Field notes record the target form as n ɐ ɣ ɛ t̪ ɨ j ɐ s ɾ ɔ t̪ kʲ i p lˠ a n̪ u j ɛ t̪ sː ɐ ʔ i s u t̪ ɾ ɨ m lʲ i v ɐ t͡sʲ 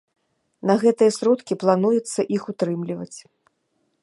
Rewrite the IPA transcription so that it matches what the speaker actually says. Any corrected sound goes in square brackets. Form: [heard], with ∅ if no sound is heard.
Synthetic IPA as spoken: n ɐ ɣ ɛ t̪ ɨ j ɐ s ɾ ɔ t̪ kʲ i p lˠ a n̪ u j ɛ t̪ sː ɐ ʔ i [x] u t̪ ɾ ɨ m lʲ i v ɐ t͡sʲ